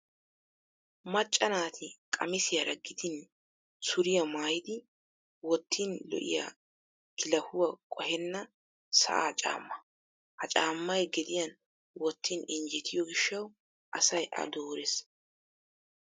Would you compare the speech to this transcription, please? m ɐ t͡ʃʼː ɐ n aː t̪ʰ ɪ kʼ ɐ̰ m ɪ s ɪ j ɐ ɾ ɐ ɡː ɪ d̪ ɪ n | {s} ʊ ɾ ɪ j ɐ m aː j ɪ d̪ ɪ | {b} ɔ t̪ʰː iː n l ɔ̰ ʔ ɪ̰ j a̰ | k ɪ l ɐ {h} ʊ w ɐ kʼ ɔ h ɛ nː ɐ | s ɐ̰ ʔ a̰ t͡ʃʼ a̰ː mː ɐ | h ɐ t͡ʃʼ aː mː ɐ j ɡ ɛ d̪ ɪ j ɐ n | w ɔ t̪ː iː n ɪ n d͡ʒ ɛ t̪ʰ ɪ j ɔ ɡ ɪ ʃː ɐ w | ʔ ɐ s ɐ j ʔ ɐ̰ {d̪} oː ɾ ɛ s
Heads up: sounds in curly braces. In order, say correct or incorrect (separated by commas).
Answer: correct, incorrect, correct, correct